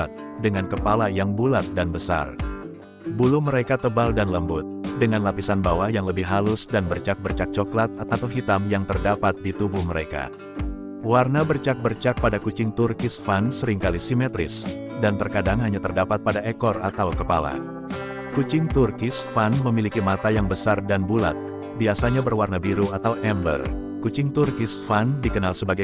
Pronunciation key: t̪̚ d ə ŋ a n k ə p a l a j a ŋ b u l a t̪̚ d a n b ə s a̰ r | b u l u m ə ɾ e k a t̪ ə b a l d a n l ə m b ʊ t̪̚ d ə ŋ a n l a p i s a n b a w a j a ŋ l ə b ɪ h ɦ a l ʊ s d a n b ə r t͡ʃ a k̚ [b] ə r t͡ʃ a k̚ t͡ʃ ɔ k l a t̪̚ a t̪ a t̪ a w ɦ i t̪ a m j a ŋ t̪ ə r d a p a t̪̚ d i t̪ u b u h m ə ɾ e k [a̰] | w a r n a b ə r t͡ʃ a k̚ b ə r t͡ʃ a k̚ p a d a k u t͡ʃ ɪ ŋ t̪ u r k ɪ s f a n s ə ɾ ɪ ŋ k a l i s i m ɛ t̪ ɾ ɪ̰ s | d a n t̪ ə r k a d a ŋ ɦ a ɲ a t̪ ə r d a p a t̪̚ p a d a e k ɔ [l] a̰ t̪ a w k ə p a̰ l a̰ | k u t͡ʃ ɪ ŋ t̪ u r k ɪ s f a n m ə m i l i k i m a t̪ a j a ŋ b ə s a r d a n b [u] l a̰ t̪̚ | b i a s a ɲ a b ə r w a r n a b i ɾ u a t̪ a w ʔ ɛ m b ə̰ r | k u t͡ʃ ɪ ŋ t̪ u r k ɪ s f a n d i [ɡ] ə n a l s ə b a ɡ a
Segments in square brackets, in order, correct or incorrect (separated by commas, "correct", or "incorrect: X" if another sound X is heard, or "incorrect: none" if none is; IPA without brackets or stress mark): correct, correct, incorrect: r, correct, incorrect: k